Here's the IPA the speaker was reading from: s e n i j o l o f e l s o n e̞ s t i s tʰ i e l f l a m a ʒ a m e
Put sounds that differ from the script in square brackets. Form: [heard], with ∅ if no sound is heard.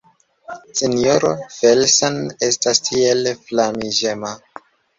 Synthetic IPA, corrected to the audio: s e n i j o [ɾ] o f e l s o n e̞ s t [a] s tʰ i e l f l a m [i] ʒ [e] m [a]